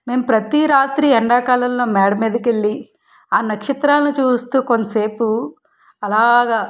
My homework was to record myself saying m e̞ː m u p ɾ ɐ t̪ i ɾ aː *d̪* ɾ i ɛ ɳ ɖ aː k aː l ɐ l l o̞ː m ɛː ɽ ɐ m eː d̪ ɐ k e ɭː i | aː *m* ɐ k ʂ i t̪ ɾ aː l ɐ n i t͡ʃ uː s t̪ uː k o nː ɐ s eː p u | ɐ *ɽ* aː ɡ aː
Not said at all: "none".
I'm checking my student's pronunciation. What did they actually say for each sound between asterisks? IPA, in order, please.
t̪, n, l

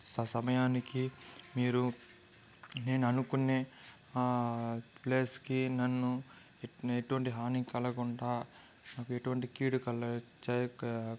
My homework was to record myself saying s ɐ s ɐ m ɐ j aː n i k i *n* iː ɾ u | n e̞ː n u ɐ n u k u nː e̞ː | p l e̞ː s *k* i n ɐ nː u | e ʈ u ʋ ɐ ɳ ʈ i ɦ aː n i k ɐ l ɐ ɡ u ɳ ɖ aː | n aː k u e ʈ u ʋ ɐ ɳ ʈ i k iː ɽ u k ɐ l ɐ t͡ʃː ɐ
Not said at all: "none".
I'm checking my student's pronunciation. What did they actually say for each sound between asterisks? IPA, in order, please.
m, k

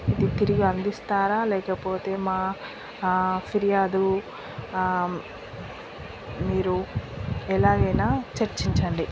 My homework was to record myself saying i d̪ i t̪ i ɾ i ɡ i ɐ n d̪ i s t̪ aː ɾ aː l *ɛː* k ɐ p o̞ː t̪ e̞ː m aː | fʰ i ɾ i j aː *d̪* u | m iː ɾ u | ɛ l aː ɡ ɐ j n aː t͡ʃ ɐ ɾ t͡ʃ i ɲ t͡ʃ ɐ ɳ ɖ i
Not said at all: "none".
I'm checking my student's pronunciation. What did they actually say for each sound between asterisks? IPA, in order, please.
ɛː, d̪

